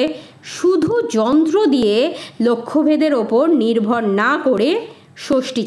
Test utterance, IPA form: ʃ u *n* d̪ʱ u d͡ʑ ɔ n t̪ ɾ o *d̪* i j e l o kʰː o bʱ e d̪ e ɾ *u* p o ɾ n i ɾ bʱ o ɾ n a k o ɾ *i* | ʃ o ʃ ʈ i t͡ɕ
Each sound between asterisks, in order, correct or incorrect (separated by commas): incorrect, correct, incorrect, incorrect